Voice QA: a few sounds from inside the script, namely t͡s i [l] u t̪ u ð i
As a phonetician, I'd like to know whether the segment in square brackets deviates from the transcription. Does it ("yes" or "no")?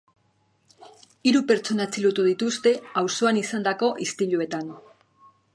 no